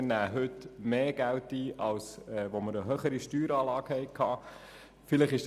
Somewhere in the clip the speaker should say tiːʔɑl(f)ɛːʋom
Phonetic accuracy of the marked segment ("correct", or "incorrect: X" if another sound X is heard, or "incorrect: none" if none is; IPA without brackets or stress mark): incorrect: s